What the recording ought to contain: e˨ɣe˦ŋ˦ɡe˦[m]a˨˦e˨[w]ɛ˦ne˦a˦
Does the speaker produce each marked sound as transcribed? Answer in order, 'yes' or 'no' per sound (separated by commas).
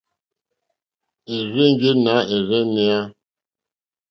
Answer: no, no